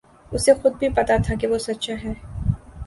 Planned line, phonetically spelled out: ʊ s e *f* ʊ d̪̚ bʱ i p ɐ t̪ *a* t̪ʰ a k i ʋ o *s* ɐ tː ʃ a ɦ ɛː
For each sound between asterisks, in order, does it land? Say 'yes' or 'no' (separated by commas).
no, yes, yes